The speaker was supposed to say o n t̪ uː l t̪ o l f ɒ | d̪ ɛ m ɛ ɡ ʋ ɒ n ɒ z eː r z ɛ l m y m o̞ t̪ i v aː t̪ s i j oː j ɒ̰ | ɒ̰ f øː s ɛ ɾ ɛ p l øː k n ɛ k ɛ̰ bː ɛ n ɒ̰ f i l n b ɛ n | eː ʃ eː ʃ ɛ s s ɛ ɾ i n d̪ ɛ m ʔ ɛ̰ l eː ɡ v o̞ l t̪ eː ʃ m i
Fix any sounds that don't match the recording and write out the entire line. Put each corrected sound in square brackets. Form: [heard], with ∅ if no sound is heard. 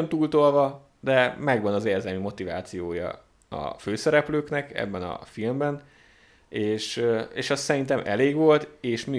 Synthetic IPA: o n t̪ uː l t̪ o l [v] ɒ | d̪ ɛ m ɛ ɡ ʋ ɒ n ɒ z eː r z ɛ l m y m o̞ t̪ i v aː t̪ s i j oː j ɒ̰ | ɒ̰ f øː s ɛ ɾ ɛ p l øː k n ɛ k ɛ̰ bː ɛ n ɒ̰ f i l [m] b ɛ n | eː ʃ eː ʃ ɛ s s ɛ ɾ i n [t̪] ɛ m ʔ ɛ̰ l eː ɡ [ʋ] o̞ l t̪ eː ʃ m i